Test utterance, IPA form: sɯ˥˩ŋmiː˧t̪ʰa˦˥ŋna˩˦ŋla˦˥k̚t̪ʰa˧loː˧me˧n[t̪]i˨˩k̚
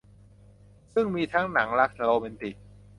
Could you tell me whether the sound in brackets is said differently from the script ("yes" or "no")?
no